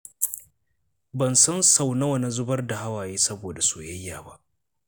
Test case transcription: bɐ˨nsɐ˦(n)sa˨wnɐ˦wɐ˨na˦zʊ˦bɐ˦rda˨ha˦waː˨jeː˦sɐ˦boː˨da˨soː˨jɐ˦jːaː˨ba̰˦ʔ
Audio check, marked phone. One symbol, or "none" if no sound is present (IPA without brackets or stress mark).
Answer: n